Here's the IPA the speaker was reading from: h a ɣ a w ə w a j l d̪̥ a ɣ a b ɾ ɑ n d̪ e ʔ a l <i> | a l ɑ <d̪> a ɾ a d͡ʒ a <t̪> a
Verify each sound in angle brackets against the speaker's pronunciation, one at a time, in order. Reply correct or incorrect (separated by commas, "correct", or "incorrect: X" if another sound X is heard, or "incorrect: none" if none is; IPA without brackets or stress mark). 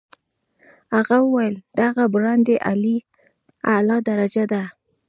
correct, correct, incorrect: d̪